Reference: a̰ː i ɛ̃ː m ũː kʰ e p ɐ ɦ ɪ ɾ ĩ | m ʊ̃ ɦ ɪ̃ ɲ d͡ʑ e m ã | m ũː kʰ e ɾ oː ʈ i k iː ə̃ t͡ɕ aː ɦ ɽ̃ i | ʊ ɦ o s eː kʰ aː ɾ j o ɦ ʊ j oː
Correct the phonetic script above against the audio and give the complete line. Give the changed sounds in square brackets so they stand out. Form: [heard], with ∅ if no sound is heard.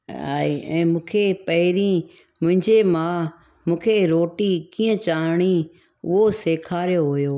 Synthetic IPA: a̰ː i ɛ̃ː m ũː kʰ e p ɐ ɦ ɪ ɾ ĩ | m ʊ̃ ɦ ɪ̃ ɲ d͡ʑ e m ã | m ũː kʰ e ɾ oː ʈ i k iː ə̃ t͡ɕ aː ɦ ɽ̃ i | ʊ ɦ o s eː kʰ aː ɾ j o ɦ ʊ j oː

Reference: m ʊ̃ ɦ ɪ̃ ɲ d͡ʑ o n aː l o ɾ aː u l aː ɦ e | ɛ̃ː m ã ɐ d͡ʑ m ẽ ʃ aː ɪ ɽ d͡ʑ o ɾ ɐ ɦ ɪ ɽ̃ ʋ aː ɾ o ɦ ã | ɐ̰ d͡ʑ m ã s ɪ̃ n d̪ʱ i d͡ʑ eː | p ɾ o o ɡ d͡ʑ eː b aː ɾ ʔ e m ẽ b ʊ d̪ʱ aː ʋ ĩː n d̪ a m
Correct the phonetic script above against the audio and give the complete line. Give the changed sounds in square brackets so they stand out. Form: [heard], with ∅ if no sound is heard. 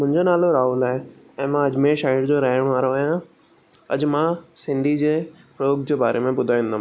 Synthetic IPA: m ʊ̃ ɦ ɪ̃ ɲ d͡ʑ o n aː l o ɾ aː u l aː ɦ e | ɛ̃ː m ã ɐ d͡ʑ m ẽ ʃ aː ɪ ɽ d͡ʑ o ɾ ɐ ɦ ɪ ɽ̃ ʋ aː ɾ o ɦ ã | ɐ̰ d͡ʑ m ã s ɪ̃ n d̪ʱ i d͡ʑ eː | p ɾ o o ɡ d͡ʑ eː b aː ɾ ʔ e m ẽ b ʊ d̪ʱ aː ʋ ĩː n d̪ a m

